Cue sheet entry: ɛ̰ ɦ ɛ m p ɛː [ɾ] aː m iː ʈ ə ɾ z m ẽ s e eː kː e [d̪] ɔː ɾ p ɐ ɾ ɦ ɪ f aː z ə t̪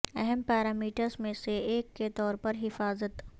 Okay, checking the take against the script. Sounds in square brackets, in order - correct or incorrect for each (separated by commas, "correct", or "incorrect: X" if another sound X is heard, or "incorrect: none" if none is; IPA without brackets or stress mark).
correct, incorrect: t̪